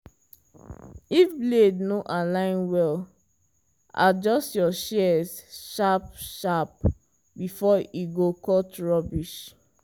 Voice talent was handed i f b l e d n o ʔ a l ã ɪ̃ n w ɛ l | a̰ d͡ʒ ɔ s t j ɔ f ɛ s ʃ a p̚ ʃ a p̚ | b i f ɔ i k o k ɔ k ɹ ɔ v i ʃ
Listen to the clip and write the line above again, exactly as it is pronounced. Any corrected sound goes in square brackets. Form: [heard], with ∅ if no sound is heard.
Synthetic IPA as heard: i f b l e d n o ʔ a l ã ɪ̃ n w ɛ l | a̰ d͡ʒ ɔ s t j ɔ [ʃ] ɛ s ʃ a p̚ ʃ a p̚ | b i f ɔ i [ɡ] o k ɔ [t] ɹ ɔ [b] i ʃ

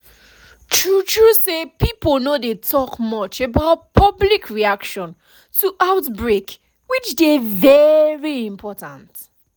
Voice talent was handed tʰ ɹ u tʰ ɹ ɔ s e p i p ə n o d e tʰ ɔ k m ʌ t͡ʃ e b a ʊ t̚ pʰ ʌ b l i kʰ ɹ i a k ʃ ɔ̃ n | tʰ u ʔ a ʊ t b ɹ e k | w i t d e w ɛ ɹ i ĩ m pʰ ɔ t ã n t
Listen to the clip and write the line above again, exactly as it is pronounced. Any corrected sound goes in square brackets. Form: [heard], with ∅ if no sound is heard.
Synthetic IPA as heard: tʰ ɹ u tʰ ɹ [u] s e p i p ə n o d e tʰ ɔ k m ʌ t͡ʃ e b a ʊ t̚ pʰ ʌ b l i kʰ ɹ i a k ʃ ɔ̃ n | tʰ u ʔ a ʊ t b ɹ e k | w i [t͡ʃ] d e [v] ɛ ɹ i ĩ m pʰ ɔ t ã n t

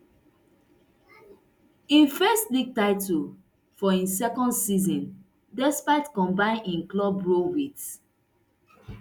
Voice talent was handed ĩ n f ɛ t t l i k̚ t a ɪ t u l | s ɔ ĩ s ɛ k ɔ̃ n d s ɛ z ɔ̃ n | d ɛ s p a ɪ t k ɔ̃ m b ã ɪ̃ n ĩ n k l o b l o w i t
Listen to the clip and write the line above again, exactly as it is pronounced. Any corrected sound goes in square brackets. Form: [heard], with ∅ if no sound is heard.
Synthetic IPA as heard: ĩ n f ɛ [s] t l i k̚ t a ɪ t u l | [f] ɔ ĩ s ɛ k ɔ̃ n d s [i] z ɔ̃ n | d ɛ s p a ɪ t k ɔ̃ m b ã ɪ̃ n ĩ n k l [ɔ] b [ɹ] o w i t

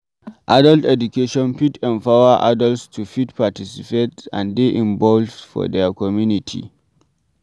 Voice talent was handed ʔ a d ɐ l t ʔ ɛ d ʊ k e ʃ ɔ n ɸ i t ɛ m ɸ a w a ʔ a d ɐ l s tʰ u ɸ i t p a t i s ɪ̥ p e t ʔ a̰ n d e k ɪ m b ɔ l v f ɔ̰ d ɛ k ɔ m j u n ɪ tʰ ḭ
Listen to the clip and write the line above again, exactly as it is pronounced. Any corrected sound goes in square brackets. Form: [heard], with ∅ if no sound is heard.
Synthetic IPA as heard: ʔ a d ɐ l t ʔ ɛ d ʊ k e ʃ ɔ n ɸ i t ɛ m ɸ a w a ʔ a d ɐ l s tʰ u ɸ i t p a t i s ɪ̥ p e t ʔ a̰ n d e [ʔ] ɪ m b ɔ l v f ɔ̰ d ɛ k ɔ m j u n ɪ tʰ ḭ

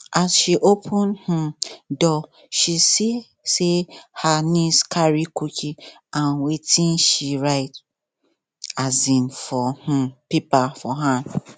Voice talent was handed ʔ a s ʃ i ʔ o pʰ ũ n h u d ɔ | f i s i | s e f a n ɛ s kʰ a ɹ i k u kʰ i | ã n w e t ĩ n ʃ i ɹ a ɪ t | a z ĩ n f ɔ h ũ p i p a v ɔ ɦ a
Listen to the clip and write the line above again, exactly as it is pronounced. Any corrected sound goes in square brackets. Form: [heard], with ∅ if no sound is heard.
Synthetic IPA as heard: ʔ a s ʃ i ʔ o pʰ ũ n h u d ɔ | [ʃ] i s i | s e [h] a n [i] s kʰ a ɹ i k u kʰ i | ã n w e t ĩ n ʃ i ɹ a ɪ t | a z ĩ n f ɔ h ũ p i p a [f] ɔ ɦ a

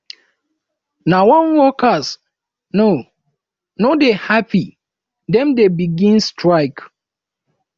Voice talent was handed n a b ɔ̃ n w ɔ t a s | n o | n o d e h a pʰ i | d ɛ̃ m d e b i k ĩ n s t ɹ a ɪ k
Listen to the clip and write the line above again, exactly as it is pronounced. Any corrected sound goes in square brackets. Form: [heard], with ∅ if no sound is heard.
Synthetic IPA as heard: n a [w] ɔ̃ n w ɔ [k] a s | n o | n o d e h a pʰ i | d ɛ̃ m d e b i [ɡ] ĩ n s t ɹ a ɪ k

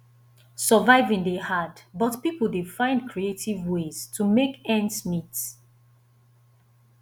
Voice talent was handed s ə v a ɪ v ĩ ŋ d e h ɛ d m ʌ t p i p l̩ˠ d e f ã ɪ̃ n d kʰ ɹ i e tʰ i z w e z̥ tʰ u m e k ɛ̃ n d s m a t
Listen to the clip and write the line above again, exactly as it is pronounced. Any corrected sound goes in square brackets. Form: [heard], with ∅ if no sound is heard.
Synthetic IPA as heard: s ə v a ɪ v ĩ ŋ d e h [a] d [b] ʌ t p i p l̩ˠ d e f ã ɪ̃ n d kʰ ɹ i e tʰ i [v] w e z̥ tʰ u m e k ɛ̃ n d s m [i] t

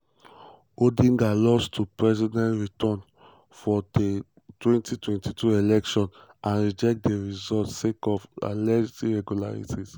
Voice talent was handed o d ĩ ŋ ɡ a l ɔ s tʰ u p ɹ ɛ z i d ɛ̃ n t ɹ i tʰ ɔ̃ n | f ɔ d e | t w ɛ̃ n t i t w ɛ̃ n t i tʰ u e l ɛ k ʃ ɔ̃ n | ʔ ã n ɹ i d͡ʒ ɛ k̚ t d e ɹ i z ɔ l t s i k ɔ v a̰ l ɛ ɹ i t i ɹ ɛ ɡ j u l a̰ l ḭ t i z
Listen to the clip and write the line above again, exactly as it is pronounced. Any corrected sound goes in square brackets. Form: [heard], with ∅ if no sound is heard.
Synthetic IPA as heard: o d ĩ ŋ ɡ a l ɔ s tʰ u p ɹ ɛ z i d ɛ̃ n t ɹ i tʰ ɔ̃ n | f ɔ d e | t w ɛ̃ n t i t w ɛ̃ n t i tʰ u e l ɛ k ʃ ɔ̃ n | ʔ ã n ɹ i d͡ʒ ɛ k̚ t d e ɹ i z ɔ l t s [e] k ɔ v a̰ l ɛ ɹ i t i ɹ ɛ ɡ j u l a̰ [ɹ] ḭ t i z

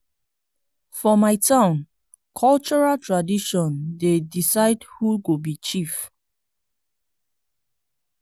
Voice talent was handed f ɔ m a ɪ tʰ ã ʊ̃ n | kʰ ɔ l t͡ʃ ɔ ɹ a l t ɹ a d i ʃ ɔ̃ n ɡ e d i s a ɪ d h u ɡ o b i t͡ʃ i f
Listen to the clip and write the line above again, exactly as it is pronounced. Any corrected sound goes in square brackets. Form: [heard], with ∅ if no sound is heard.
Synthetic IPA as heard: f ɔ m a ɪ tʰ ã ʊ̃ n | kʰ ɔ l t͡ʃ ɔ ɹ a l t ɹ a d i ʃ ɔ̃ n [d] e d i s a ɪ d h u ɡ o b i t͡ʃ i f

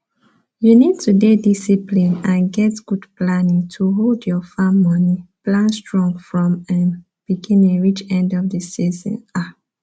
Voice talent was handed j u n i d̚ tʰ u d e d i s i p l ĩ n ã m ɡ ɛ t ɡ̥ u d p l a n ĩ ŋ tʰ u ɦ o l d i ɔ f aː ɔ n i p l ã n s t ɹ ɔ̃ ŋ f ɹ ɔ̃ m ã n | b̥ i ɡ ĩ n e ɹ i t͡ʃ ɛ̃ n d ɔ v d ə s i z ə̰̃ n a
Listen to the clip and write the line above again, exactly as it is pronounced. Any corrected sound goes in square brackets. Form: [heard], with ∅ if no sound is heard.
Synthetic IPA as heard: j u n i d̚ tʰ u d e d i s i p l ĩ n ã [n] ɡ ɛ t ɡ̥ u d p l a n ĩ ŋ tʰ u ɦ o l d [j] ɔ f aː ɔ n i p l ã n s t ɹ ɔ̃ ŋ f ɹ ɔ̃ m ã n | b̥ i ɡ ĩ n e ɹ i t͡ʃ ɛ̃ n d ɔ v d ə s i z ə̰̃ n a

